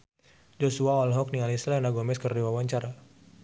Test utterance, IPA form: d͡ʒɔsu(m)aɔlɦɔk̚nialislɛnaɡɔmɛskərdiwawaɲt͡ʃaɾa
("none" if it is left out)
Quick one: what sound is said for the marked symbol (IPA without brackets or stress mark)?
none